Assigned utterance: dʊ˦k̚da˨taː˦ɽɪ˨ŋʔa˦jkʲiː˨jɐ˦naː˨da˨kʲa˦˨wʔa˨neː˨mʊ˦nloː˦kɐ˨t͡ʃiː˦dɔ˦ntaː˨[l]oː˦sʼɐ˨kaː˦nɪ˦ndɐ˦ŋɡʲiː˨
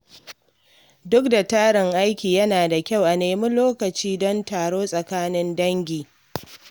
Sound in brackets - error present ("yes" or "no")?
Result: yes